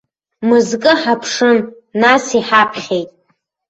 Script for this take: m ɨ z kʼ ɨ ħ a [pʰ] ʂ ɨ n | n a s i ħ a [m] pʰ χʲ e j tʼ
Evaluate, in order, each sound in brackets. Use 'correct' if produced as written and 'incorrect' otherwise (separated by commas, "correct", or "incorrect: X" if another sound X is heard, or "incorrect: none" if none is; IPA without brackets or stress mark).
correct, incorrect: none